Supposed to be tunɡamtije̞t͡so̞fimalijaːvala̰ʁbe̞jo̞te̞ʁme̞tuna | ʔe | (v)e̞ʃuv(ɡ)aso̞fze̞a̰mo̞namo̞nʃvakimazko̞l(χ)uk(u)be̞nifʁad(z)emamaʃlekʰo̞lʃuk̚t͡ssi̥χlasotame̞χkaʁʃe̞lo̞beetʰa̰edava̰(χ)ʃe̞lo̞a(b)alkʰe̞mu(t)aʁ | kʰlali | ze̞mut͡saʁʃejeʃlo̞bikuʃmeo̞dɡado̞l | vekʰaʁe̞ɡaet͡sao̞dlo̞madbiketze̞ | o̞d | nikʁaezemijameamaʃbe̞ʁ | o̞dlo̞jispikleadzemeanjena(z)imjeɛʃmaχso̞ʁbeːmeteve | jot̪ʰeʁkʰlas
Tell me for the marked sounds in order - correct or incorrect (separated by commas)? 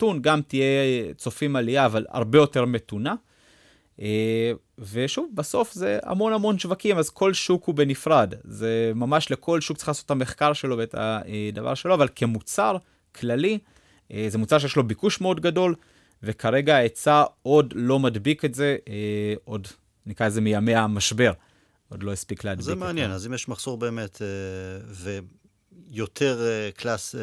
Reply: correct, incorrect, incorrect, correct, correct, incorrect, incorrect, incorrect, correct